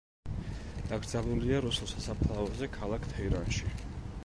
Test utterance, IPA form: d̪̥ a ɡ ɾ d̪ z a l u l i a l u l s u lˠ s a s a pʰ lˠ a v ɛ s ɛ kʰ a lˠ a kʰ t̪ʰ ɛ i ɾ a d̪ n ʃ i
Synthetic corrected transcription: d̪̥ a ɡ ɾ d̪ z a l u l i a ɾ u s u lˠ s a s a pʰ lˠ a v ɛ z ɛ kʰ a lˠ a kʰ t̪ʰ ɛ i ɾ a n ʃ i